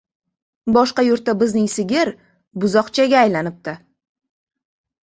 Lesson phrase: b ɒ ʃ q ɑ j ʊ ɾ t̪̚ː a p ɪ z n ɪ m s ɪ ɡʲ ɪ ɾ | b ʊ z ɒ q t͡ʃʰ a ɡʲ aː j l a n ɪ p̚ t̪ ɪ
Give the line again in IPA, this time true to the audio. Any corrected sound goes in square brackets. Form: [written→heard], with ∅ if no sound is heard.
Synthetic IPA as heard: b ɒ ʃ q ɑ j ʊ ɾ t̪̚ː a [p→b] ɪ z n ɪ [m→ŋ] s ɪ ɡʲ ɪ ɾ | b ʊ z ɒ q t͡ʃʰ a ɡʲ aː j l a n ɪ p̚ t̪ ɪ